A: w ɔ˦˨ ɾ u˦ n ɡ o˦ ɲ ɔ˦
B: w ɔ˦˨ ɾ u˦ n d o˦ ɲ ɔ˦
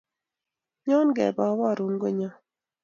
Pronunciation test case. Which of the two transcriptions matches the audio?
A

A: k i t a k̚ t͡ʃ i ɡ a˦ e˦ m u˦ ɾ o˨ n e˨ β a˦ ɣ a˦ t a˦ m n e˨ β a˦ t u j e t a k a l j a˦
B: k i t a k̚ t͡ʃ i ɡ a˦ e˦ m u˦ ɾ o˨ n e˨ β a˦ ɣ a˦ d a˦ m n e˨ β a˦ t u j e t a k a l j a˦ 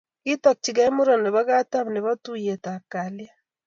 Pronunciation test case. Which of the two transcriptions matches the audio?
A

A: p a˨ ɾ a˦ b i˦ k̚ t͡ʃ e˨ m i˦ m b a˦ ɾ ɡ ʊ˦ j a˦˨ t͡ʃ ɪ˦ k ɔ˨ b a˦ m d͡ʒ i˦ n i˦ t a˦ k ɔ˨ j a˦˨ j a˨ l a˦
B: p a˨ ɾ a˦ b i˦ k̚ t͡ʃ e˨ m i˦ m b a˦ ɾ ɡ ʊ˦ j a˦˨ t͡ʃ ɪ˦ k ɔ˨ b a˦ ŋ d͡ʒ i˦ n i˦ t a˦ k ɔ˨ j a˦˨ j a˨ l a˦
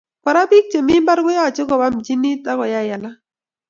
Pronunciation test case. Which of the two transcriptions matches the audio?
A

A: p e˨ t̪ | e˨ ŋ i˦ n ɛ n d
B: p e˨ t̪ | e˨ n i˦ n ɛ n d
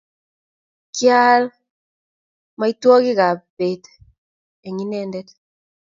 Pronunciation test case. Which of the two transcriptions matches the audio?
A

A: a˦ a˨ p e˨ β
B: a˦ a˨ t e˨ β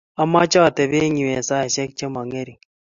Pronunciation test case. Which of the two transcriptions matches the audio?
B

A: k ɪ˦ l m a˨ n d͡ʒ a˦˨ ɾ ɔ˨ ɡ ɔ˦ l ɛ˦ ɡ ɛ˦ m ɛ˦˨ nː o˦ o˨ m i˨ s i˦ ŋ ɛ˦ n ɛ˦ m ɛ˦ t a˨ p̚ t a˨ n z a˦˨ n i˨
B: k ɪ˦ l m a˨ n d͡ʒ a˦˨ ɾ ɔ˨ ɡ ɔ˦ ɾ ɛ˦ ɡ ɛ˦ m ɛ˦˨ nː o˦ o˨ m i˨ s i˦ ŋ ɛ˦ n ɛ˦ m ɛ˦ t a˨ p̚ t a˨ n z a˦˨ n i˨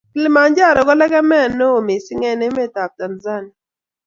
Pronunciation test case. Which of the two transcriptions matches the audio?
A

